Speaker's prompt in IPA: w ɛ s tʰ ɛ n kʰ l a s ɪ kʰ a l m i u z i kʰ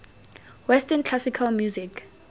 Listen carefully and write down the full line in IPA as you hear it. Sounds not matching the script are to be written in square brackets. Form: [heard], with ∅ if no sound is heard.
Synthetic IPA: w ɛ s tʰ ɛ n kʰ l a s [i] kʰ a l m [j] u z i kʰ